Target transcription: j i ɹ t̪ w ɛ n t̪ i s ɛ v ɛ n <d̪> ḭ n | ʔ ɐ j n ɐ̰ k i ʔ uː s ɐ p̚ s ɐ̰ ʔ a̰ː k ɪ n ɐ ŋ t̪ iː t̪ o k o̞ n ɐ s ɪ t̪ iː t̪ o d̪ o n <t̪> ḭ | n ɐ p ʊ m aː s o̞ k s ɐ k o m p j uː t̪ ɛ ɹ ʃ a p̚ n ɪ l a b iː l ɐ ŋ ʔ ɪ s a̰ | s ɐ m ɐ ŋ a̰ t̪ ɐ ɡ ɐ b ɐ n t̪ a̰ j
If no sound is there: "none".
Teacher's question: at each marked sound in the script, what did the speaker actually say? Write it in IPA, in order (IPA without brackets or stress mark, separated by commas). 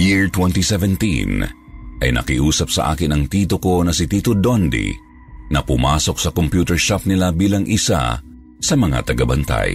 t̪, d̪